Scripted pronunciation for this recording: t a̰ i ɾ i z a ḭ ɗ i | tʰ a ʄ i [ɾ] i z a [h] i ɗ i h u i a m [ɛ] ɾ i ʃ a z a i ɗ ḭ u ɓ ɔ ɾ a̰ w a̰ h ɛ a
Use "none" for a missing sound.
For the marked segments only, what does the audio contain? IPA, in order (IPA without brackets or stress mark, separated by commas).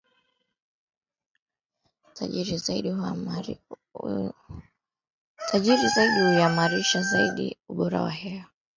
ɾ, none, a